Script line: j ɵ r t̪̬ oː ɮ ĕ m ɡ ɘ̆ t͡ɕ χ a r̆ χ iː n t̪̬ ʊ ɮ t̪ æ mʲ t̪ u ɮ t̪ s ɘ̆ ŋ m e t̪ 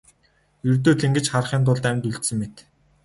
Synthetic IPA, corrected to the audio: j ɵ r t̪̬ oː ɮ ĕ ŋ ɡ ɘ̆ t͡ɕ χ a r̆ χ iː n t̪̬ ʊ ɮ t̪ æ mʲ t̪ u ɮ t̪ s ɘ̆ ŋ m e t̪